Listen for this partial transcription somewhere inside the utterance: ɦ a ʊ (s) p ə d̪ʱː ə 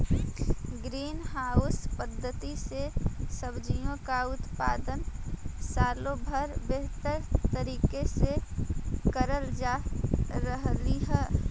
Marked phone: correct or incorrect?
correct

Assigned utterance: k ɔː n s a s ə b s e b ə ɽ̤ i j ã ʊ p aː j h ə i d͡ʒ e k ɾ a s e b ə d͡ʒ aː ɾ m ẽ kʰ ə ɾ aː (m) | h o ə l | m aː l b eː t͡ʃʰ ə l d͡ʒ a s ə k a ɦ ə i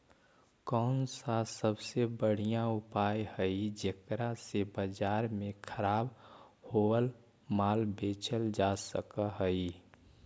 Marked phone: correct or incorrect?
incorrect: b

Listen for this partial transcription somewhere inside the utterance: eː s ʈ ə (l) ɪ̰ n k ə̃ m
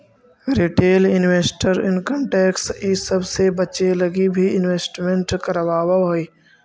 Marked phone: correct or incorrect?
incorrect: ɾ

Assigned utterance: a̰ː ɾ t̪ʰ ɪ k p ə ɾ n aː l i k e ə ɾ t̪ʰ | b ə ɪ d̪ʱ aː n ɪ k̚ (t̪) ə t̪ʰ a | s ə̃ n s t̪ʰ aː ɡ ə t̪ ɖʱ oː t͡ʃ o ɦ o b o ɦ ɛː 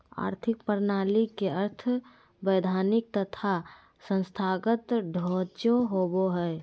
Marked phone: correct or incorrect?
correct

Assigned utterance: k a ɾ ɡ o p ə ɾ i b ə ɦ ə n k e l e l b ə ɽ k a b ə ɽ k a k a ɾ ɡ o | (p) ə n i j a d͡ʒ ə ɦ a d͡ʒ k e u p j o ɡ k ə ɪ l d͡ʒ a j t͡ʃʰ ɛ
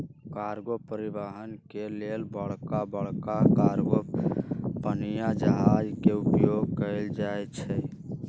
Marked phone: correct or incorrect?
correct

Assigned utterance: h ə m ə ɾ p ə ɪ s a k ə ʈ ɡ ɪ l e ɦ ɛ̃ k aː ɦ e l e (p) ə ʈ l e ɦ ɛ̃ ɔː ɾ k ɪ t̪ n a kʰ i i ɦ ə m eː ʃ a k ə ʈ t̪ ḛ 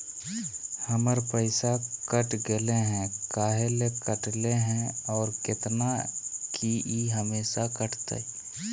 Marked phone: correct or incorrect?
incorrect: k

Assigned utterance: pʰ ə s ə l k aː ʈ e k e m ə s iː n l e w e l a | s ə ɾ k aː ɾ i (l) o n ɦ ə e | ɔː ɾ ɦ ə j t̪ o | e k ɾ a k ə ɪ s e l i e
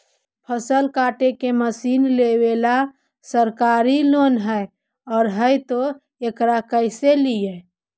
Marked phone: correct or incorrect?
correct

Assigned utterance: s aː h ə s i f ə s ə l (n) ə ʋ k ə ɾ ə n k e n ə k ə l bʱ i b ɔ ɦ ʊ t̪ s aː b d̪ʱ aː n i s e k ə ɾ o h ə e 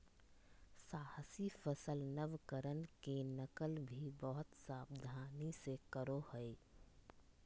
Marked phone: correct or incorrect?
correct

